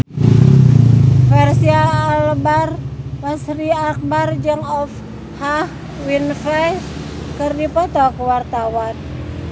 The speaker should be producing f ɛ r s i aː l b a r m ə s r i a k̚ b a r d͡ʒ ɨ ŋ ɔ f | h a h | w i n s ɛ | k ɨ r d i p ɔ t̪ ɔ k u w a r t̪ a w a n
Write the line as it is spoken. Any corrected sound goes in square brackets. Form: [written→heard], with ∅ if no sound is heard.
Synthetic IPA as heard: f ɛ r s i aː l b a r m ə s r i a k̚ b a r d͡ʒ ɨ ŋ ɔ f | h a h | w i n [s→f] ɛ | k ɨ r d i p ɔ t̪ ɔ k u w a r t̪ a w a n

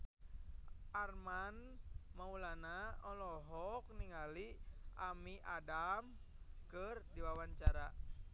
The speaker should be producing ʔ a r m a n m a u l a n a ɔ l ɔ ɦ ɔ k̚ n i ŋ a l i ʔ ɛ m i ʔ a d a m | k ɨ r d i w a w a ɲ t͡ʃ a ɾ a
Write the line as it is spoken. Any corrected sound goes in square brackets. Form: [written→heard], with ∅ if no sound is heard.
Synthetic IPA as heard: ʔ a r m a n m a u l a n a ɔ l ɔ ɦ ɔ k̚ n i ŋ a l i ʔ [ɛ→a] m i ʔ a d a m | k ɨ r d i w a w a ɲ t͡ʃ a ɾ a

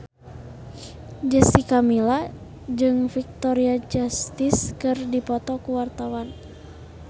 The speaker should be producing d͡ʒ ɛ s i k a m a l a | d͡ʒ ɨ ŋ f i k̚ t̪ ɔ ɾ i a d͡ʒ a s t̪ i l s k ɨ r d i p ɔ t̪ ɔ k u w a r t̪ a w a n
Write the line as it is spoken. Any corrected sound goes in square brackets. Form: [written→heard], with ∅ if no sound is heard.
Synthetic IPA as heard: d͡ʒ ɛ s i k a m [a→i] l a | d͡ʒ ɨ ŋ f i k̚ t̪ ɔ ɾ i a d͡ʒ a s t̪ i [l→∅] s k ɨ r d i p ɔ t̪ ɔ k u w a r t̪ a w a n

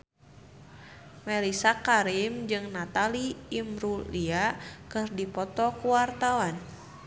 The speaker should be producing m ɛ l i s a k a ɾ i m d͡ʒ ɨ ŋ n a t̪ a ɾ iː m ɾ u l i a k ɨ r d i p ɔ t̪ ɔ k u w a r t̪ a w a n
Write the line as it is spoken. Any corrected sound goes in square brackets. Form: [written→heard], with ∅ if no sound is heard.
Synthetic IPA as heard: m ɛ l i s a k a ɾ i m d͡ʒ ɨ ŋ n a t̪ a [ɾ→l] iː m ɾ u l i a k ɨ r d i p ɔ t̪ ɔ k u w a r t̪ a w a n

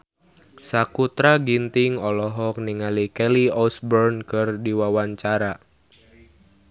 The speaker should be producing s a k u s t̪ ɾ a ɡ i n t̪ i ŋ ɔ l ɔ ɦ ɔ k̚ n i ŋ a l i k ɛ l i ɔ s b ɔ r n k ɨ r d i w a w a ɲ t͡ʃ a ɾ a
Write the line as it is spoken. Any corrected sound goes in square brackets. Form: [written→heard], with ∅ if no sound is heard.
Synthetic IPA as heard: s a k u [s→∅] t̪ ɾ a ɡ i n t̪ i ŋ ɔ l ɔ ɦ ɔ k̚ n i ŋ a l i k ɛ l i ɔ s b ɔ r n k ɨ r d i w a w a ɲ t͡ʃ a ɾ a

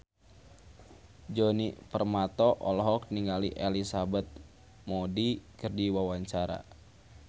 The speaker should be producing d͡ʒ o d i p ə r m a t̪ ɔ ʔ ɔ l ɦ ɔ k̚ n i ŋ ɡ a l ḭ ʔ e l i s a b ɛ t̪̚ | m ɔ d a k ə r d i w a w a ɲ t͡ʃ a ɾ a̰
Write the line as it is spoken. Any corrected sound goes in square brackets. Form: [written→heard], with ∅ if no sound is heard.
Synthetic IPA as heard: d͡ʒ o [d→n] i p ə r m a t̪ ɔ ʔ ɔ l ɦ ɔ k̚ n i ŋ ɡ a l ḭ ʔ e l i s a b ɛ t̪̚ | m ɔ d [a→i] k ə r d i w a w a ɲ t͡ʃ a ɾ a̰

